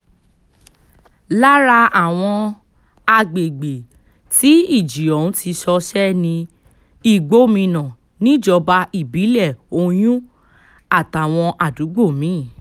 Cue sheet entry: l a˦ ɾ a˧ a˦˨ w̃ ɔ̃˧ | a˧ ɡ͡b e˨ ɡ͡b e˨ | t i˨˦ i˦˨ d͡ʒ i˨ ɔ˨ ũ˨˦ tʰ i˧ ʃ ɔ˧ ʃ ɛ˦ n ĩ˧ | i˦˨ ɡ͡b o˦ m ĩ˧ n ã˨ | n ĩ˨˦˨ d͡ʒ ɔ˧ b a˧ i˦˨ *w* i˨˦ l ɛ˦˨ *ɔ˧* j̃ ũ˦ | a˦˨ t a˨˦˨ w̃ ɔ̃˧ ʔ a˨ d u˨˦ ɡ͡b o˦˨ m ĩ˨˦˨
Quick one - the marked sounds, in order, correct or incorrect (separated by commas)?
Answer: incorrect, incorrect